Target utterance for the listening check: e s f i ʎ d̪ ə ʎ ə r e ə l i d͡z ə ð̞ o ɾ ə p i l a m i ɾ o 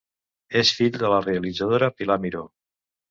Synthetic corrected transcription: e s f i ʎ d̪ ə l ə r e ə l i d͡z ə ð̞ o ɾ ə p i l a m i ɾ o